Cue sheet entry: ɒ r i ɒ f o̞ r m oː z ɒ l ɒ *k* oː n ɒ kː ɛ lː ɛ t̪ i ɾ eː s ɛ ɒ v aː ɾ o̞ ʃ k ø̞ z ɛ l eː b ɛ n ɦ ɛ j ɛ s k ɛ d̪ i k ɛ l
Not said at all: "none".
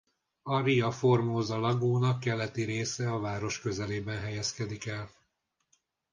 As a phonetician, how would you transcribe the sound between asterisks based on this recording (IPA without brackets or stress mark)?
ɡ